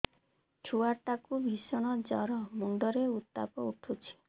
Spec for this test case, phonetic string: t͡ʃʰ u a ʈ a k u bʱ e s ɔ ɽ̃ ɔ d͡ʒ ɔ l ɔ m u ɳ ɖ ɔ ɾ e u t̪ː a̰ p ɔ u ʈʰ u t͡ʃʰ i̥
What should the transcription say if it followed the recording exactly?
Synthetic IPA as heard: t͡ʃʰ u a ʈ a k u bʱ i s ɔ ɽ̃ ɔ d͡ʒ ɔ ɾ ɔ m u ɳ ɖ ɔ ɾ e u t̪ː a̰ p ɔ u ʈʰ u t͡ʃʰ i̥